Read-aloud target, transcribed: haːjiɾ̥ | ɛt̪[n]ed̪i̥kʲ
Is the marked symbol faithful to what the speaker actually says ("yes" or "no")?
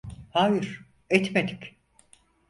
no